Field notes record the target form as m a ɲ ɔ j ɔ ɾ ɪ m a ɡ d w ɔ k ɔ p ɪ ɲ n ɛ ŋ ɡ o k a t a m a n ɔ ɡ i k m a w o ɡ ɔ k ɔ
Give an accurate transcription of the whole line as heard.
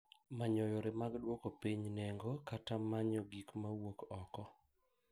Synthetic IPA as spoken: m a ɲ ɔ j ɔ ɾ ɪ m a ɡ d w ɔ k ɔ p i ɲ n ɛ ŋ ɡ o k a t a m a ɲ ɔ ɡ i k m a w o k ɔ k ɔ

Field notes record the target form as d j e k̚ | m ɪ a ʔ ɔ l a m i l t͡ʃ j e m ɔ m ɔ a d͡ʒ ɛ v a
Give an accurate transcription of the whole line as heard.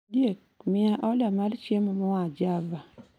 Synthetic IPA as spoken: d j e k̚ | m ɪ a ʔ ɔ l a m a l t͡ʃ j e m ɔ m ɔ a d͡ʒ a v a

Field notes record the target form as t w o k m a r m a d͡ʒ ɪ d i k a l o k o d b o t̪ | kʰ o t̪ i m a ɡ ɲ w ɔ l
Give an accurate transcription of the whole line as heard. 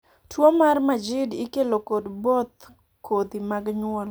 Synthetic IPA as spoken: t w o m a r m a d͡ʒ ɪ d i k e l o k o d b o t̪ | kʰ o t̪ i m a ɡ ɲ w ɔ l

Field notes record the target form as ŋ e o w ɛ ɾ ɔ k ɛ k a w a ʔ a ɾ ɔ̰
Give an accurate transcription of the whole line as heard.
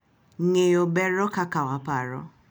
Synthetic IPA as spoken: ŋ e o b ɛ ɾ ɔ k a k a w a p a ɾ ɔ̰

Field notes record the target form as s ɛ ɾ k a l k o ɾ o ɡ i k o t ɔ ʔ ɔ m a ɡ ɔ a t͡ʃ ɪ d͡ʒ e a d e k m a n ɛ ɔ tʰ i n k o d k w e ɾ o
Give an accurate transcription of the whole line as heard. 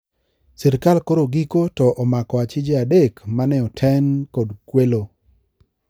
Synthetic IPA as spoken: s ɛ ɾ k a l k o ɾ o ɡ i k o t ɔ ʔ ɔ m a k ɔ a t͡ʃ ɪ d͡ʒ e a d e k m a n ɛ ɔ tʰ ɛ n k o d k w e l o

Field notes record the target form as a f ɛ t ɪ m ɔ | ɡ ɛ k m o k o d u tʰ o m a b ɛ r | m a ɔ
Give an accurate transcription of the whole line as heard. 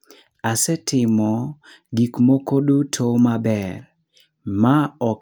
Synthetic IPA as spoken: a s ɛ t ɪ m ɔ | ɡ i k m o k o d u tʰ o m a b ɛ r | m a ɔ

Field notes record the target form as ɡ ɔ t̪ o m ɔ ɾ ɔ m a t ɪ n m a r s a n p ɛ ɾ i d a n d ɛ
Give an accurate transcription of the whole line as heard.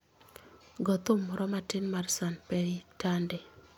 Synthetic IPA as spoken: ɡ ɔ t̪ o m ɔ ɾ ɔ m a t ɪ n m a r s a n p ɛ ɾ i t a n d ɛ

